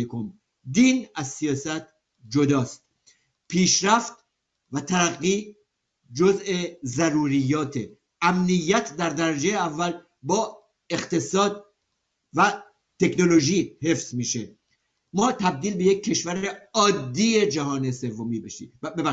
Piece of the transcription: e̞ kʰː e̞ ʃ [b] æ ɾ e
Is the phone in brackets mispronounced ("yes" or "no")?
yes